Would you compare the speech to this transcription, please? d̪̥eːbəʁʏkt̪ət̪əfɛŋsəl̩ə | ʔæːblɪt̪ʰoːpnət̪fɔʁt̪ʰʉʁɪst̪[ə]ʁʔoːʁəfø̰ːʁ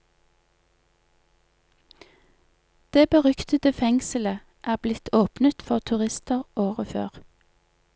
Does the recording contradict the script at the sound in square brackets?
no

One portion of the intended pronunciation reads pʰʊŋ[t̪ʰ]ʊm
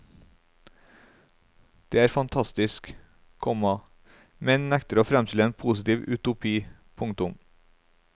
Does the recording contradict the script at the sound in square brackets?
yes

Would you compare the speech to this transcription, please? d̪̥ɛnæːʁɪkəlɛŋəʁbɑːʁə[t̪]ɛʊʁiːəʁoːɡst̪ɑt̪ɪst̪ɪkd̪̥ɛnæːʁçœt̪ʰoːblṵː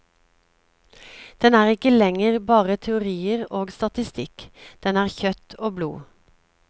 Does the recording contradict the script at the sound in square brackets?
yes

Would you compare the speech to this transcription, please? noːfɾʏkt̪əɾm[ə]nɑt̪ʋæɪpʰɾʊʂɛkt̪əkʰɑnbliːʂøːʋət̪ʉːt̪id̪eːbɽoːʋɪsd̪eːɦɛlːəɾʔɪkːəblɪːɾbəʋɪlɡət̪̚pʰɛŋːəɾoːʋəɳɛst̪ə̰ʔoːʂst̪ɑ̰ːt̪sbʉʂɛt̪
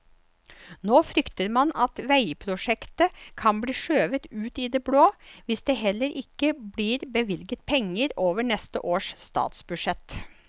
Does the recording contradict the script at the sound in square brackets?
yes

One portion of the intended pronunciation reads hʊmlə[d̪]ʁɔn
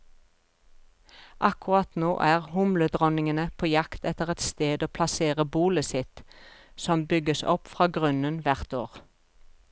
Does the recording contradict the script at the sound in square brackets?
no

